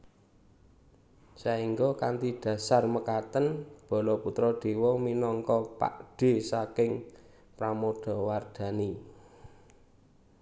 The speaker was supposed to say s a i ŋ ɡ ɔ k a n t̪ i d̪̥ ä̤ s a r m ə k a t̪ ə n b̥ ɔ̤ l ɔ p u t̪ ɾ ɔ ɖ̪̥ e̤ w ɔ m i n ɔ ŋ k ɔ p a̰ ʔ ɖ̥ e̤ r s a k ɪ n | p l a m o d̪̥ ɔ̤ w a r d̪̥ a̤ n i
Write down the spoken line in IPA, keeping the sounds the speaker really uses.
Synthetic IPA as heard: s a i ŋ ɡ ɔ k a n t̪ i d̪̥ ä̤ s a r m ə k a t̪ ə n b̥ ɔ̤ l ɔ p u t̪ ɾ ɔ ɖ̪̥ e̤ w ɔ m i n ɔ ŋ k ɔ p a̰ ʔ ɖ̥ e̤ s a k ɪ ŋ | p ɾ a m o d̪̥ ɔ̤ w a r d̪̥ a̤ n i